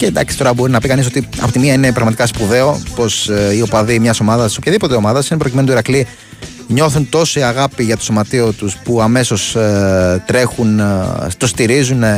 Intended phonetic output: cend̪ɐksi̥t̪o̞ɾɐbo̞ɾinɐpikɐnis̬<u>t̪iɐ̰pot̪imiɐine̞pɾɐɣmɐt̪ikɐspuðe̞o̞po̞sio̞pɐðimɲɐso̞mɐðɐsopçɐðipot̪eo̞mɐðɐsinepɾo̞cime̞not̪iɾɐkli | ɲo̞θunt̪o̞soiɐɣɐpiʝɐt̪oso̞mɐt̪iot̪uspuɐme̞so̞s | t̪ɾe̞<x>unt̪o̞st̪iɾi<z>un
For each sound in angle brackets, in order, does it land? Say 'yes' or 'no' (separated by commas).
no, yes, yes